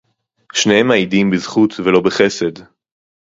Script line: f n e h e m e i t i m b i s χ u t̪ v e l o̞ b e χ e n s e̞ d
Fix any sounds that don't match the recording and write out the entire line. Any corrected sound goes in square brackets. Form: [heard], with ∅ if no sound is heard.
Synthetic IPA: [ʃ] n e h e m [a] i [d] i m b i [z] χ u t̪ v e l o̞ b e χ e [∅] s e̞ d